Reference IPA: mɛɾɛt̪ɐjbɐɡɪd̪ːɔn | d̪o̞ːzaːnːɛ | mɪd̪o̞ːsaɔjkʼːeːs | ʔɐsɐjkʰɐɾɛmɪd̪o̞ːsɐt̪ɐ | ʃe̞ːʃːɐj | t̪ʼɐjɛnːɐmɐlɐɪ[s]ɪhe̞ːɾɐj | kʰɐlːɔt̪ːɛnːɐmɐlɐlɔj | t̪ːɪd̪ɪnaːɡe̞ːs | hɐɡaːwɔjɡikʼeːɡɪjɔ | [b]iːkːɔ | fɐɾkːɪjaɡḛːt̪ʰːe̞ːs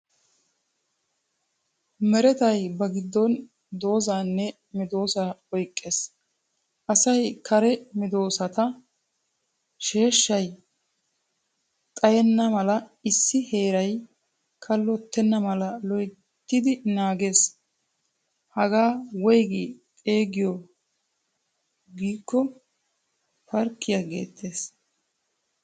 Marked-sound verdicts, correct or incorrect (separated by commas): incorrect, incorrect